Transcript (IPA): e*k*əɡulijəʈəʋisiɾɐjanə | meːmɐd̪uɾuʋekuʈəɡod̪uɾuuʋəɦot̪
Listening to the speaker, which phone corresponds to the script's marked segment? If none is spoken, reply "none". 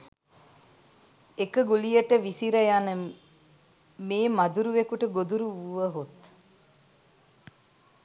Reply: k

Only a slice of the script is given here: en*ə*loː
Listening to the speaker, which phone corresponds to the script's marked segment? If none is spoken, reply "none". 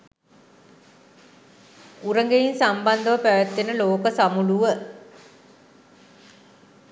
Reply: ə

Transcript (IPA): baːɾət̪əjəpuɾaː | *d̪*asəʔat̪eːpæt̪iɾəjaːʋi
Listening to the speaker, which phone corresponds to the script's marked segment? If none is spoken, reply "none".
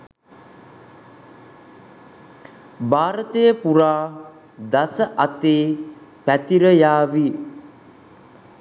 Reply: d̪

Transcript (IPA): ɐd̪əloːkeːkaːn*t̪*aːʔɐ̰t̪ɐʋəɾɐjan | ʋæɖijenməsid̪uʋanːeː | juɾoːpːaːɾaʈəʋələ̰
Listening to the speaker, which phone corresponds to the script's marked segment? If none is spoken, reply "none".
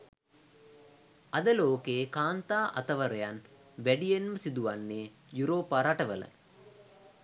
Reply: t̪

